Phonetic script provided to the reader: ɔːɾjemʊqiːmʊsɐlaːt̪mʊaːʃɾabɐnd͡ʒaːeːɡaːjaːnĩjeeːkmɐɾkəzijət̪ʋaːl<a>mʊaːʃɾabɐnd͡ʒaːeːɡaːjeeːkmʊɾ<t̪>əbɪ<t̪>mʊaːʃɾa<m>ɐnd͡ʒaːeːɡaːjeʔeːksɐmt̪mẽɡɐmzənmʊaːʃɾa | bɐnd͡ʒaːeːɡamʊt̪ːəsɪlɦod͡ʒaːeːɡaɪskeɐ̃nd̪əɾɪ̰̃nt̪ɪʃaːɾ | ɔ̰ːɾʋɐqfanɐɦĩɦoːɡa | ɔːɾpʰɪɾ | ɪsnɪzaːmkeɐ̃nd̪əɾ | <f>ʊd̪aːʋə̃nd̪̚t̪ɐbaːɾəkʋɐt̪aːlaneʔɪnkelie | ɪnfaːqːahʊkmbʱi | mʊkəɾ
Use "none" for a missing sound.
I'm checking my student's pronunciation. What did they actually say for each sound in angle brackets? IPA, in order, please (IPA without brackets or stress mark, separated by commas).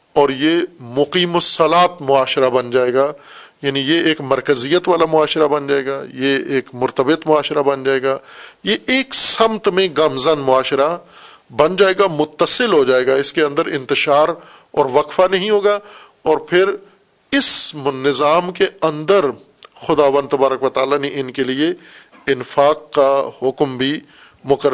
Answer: a, t̪, t̪, b, x